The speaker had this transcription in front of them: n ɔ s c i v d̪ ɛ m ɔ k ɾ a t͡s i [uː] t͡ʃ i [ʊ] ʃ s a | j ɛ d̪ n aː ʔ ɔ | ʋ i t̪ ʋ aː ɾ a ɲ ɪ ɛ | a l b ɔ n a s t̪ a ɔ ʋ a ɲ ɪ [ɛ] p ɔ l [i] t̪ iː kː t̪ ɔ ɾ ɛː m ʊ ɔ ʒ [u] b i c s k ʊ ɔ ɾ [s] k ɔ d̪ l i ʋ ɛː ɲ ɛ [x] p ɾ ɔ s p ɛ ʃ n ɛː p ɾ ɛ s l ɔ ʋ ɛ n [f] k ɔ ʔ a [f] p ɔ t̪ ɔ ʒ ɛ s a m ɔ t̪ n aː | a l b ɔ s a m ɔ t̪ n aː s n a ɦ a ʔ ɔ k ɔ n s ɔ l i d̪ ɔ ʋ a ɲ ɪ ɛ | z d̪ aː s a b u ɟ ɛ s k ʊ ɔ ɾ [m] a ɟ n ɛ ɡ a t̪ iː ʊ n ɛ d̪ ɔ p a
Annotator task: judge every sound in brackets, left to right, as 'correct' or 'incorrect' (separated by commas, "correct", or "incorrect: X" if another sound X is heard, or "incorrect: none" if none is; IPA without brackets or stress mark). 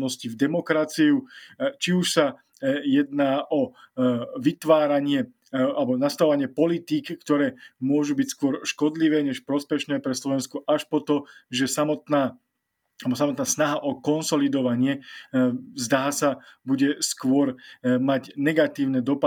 incorrect: u, incorrect: u, correct, correct, correct, incorrect: ʃ, incorrect: ʃ, incorrect: s, incorrect: ʃ, correct